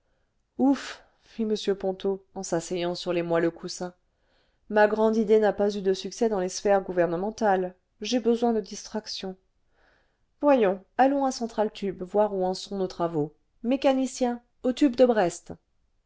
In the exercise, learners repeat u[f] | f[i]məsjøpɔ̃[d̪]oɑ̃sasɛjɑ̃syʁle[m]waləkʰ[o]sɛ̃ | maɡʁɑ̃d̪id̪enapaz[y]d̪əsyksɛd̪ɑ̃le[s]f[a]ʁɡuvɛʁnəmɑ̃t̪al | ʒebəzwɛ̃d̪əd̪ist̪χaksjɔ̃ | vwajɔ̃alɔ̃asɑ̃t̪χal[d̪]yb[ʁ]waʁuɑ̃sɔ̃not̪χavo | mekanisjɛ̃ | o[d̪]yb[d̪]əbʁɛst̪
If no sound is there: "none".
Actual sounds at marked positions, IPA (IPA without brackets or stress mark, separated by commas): f, i, t̪, m, u, y, s, ɛ, t̪, v, t̪, d̪